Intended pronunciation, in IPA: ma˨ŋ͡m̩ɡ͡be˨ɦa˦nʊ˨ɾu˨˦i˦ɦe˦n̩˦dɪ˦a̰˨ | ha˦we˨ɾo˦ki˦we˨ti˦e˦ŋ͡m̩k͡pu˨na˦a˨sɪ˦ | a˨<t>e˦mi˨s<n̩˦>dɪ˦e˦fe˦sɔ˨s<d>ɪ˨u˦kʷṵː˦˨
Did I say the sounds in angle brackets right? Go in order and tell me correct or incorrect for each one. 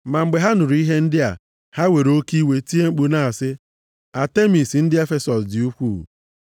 correct, correct, correct

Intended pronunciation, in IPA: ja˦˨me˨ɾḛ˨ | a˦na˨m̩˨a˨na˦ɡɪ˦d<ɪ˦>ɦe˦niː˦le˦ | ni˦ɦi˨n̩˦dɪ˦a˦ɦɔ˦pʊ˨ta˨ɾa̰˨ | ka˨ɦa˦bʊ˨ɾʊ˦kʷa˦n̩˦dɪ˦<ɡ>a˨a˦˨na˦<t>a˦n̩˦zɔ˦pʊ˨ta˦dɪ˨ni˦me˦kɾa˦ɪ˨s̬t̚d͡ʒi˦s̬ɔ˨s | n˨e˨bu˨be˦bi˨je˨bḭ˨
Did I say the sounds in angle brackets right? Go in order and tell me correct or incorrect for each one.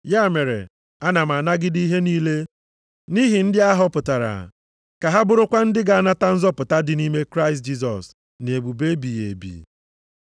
incorrect, correct, correct

